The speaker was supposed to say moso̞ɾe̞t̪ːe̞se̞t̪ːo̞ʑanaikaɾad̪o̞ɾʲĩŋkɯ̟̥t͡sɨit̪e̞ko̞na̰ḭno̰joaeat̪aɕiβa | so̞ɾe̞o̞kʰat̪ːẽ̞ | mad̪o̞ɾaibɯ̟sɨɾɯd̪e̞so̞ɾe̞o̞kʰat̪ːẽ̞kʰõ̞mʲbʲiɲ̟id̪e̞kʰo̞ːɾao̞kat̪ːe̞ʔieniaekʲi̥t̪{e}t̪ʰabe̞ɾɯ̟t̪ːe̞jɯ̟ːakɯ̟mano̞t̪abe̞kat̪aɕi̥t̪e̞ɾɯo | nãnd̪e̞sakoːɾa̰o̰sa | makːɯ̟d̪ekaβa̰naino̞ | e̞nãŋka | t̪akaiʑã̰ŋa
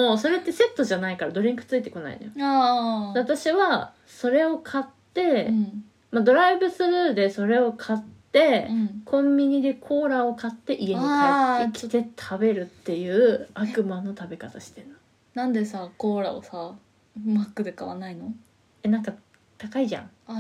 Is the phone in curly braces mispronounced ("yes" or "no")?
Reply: no